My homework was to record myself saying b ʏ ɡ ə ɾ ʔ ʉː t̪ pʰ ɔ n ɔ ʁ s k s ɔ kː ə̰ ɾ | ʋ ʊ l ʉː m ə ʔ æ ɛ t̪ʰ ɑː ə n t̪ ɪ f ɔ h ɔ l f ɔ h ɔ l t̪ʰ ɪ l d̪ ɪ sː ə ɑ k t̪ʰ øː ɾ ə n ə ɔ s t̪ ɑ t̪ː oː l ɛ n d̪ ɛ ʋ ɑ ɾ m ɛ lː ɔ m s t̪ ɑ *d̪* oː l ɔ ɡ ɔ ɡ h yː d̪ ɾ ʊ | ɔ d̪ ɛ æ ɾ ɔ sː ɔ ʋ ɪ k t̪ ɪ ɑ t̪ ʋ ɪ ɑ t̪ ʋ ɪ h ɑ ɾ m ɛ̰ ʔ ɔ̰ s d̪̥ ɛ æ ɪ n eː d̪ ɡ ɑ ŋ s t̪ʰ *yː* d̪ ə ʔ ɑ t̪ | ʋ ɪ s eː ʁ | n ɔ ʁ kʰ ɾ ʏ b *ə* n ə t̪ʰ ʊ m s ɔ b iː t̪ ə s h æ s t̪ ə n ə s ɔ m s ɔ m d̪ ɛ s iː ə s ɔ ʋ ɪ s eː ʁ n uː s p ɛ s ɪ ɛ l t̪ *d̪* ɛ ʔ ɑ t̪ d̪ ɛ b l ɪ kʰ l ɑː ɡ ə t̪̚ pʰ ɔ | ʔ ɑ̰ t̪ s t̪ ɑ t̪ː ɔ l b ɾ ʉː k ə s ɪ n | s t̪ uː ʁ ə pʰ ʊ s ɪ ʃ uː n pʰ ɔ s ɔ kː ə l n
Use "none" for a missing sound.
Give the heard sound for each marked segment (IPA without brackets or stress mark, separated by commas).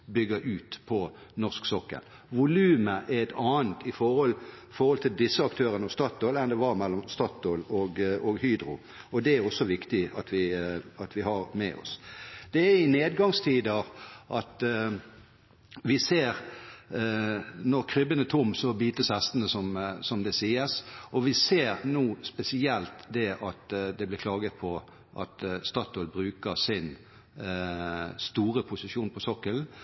t̪, iː, ə, d̪